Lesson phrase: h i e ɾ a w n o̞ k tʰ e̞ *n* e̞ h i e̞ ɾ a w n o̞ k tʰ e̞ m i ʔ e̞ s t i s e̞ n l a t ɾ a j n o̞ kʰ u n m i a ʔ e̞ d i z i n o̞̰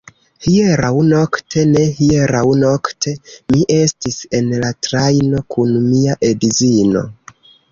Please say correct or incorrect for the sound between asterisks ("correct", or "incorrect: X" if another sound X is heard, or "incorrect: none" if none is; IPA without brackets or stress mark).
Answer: correct